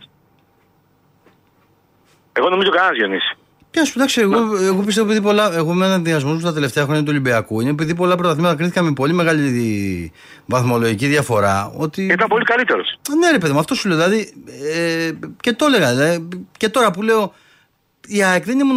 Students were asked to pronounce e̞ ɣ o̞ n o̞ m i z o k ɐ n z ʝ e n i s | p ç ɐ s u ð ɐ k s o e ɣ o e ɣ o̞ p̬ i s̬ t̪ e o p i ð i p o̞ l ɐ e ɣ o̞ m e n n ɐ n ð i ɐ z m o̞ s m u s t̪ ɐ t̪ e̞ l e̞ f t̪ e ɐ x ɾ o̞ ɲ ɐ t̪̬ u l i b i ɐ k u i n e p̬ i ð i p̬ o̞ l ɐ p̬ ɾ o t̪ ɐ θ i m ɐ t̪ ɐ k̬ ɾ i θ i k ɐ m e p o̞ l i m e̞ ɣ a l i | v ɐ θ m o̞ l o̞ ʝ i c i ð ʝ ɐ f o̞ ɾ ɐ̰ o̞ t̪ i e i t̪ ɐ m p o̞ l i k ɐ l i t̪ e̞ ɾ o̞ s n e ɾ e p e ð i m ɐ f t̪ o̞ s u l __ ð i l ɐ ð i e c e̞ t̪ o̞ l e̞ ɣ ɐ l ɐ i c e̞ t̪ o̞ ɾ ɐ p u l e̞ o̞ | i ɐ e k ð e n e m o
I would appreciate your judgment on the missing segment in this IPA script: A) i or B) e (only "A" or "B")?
B